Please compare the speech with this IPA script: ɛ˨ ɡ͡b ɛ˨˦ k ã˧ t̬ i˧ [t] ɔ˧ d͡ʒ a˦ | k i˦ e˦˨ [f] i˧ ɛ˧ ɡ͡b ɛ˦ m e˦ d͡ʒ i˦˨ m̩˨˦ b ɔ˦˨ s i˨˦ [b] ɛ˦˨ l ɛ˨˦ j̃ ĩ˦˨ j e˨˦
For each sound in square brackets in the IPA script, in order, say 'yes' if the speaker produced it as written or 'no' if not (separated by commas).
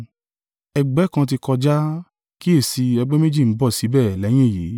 no, no, yes